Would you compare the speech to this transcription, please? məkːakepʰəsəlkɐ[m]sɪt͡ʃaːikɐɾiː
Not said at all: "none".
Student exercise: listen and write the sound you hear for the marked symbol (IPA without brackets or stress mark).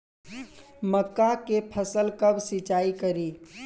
b